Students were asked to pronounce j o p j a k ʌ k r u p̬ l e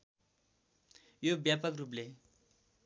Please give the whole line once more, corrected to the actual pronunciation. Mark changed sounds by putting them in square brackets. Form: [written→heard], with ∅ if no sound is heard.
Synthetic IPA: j o [p→b] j a [k→p] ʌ k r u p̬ l e